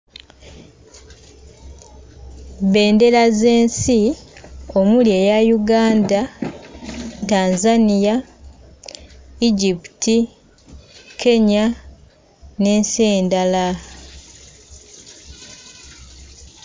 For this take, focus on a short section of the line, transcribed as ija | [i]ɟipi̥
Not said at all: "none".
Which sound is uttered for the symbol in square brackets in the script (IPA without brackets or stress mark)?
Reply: i